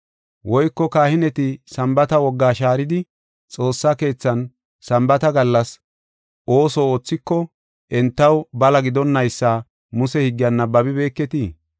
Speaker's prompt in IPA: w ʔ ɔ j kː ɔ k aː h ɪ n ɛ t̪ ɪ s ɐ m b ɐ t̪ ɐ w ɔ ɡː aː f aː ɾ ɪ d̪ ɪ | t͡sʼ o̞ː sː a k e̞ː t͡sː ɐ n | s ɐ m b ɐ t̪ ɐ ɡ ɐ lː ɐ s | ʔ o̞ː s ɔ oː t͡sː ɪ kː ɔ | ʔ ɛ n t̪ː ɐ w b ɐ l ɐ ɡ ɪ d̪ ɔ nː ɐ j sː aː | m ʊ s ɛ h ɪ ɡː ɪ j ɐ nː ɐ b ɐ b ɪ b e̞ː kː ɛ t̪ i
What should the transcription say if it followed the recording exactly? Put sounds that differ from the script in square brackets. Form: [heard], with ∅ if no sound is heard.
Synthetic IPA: w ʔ ɔ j kː ɔ k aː h ɪ n ɛ t̪ ɪ s ɐ m b ɐ t̪ ɐ w ɔ ɡː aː [ʃ] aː ɾ ɪ d̪ ɪ | t͡sʼ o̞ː sː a k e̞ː t͡sː ɐ n | s ɐ m b ɐ t̪ ɐ ɡ ɐ lː ɐ s | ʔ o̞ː s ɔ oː t͡sː ɪ kː ɔ | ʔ ɛ n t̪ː ɐ w b ɐ l ɐ ɡ ɪ d̪ ɔ nː ɐ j sː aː | m ʊ s ɛ h ɪ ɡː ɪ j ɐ nː ɐ b ɐ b ɪ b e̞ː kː ɛ t̪ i

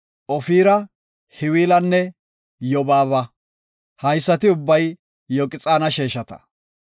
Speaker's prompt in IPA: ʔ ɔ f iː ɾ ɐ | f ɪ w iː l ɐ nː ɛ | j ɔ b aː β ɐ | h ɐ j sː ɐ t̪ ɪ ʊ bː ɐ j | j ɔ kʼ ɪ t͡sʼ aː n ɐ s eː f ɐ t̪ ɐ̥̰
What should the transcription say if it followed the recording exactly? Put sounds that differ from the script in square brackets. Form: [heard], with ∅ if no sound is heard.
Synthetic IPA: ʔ ɔ f iː ɾ ɐ | [h] ɪ w iː l ɐ nː ɛ | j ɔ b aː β ɐ | h ɐ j sː ɐ t̪ ɪ ʊ bː ɐ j | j ɔ kʼ ɪ t͡sʼ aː n ɐ [ʃ] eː [ʃ] ɐ t̪ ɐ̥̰

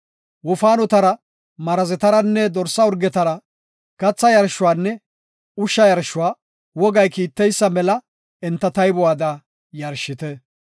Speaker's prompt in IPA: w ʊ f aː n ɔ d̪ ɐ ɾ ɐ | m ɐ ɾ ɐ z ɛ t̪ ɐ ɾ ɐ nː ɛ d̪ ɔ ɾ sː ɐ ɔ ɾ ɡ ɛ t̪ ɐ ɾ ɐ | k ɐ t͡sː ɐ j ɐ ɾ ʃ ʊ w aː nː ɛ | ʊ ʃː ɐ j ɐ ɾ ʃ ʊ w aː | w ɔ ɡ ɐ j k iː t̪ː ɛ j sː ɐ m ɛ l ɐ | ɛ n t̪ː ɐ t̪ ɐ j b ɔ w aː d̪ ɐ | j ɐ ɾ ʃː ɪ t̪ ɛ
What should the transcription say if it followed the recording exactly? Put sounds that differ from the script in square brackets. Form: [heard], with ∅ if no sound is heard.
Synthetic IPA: w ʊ f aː n ɔ [t̪] ɐ ɾ ɐ | m ɐ ɾ ɐ z ɛ t̪ ɐ ɾ ɐ nː ɛ d̪ ɔ ɾ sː ɐ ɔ ɾ ɡ ɛ t̪ ɐ ɾ ɐ | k ɐ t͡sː ɐ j ɐ ɾ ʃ ʊ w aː nː ɛ | ʊ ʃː ɐ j ɐ ɾ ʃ ʊ w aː | w ɔ ɡ ɐ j k iː t̪ː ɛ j sː ɐ m ɛ l ɐ | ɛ n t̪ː ɐ t̪ ɐ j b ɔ w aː d̪ ɐ | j ɐ ɾ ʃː ɪ t̪ ɛ

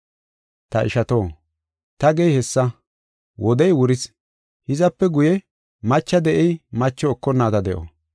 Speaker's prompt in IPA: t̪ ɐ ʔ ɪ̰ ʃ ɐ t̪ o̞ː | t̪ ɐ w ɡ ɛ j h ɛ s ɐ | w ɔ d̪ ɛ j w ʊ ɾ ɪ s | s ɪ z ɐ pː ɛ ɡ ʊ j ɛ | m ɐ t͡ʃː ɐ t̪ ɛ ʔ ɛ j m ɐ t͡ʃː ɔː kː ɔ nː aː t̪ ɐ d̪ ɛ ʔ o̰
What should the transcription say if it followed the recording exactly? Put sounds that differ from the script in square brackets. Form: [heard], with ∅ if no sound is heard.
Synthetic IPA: t̪ ɐ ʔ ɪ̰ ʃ ɐ t̪ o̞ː | t̪ ɐ [∅] ɡ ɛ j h ɛ [sː] ɐ | w ɔ d̪ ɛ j w ʊ ɾ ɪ s | [h] ɪ z ɐ pː ɛ ɡ ʊ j ɛ | m ɐ t͡ʃː ɐ [d̪] ɛ ʔ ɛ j m ɐ t͡ʃː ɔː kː ɔ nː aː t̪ ɐ d̪ ɛ ʔ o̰

